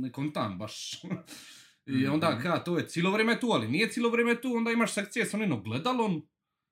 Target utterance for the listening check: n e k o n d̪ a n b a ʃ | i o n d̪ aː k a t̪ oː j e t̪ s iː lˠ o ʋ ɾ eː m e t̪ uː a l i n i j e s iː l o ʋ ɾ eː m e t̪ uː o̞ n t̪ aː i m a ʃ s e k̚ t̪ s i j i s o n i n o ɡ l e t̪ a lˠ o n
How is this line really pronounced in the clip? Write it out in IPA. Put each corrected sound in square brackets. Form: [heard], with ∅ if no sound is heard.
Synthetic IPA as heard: n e k o n [t̪] a n b a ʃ | i o n d̪ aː k a t̪ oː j e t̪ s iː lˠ o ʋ ɾ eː m e t̪ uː a l i n i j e s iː l o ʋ ɾ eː m e t̪ uː o̞ n [d̪] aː i m a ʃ s e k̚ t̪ s i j [e] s o n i n o ɡ l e [d̪] a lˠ o n